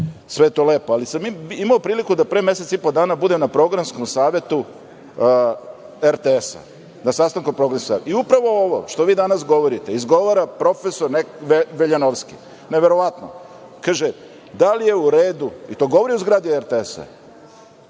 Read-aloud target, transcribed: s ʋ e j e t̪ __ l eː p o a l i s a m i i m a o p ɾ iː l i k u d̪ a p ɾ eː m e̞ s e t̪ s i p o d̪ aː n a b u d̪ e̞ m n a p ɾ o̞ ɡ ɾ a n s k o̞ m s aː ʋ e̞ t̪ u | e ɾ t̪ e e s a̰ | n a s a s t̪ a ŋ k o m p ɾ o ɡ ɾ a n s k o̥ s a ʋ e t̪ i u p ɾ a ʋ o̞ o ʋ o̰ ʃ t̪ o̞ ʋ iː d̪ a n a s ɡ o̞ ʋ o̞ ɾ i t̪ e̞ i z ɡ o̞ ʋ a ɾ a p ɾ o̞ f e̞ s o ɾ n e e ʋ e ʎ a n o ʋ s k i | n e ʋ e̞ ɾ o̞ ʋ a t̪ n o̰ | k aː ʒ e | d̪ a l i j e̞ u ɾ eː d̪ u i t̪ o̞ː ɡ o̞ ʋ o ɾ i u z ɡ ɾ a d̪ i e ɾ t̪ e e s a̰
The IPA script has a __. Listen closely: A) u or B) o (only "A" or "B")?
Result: B